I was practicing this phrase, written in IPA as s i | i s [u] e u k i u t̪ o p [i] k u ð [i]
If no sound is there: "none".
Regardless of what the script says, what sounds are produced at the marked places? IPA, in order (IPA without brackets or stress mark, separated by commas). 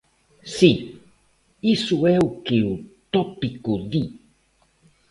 u, i, i